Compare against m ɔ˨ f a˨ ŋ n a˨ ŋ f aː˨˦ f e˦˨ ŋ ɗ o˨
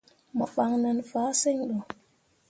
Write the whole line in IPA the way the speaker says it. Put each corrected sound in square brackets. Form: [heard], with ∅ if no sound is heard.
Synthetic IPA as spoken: m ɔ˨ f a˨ ŋ n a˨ [n] f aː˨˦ [s] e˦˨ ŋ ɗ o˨